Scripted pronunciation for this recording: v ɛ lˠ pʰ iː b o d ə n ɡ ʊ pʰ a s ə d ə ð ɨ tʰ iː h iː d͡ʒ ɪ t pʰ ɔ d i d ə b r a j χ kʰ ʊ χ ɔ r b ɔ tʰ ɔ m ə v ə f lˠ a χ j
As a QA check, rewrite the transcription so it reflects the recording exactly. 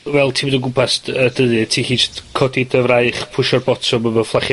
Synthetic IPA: v ɛ lˠ tʰ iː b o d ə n ɡ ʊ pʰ a s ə d ə ð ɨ tʰ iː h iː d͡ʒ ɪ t kʰ ɔ d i d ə v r a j χ pʰ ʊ ʃ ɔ r b ɔ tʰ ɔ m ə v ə f lˠ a χ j